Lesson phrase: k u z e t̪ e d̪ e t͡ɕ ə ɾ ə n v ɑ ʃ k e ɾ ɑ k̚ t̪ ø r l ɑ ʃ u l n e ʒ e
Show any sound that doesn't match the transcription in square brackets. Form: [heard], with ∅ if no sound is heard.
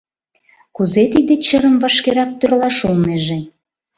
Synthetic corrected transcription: k u z e t̪ [i] d̪ e t͡ɕ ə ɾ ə [m] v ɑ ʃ k e ɾ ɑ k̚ t̪ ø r l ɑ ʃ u l n e ʒ e